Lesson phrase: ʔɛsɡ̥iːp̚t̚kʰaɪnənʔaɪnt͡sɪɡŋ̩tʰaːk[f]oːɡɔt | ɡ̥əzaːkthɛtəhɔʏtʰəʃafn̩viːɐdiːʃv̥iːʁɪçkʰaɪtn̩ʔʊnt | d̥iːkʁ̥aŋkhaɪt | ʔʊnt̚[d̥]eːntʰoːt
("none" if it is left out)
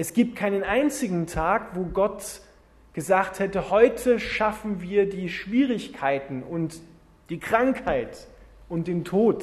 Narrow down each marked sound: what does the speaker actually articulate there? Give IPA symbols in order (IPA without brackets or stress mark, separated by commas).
v, d̥